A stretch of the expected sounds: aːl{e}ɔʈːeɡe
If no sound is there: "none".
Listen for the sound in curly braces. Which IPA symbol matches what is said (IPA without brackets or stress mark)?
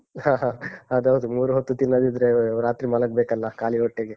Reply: i